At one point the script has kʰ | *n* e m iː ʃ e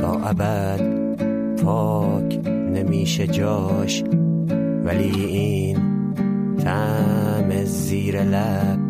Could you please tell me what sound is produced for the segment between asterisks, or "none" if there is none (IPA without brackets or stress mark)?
n